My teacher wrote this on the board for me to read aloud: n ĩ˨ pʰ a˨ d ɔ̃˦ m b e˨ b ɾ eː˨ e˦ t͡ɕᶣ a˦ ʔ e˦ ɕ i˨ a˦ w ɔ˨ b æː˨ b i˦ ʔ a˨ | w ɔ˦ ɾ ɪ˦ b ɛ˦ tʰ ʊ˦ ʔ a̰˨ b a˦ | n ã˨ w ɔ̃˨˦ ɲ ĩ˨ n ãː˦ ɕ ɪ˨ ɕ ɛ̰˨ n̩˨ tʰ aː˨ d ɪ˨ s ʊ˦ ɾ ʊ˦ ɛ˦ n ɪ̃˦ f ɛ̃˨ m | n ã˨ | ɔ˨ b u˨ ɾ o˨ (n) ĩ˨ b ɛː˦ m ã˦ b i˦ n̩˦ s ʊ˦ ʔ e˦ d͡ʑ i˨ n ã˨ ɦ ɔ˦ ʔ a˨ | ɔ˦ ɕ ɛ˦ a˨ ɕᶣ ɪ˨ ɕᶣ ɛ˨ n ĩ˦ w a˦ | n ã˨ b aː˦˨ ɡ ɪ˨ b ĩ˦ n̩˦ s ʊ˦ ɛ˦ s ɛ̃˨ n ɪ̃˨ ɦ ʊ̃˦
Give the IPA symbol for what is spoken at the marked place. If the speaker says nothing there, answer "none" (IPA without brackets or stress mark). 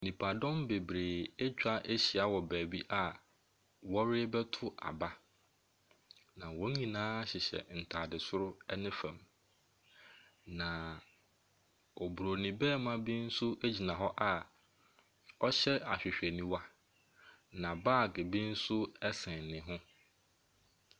n